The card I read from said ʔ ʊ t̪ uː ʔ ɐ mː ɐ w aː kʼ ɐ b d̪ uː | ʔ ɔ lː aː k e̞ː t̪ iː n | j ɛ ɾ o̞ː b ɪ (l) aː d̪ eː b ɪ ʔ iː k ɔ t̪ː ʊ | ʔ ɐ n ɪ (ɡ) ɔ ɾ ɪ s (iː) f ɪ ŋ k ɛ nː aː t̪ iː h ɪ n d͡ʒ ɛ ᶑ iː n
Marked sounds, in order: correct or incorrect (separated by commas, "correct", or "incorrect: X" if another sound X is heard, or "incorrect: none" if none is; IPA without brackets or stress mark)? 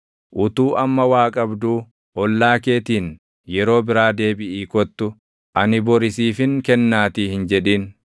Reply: incorrect: ɾ, incorrect: b, correct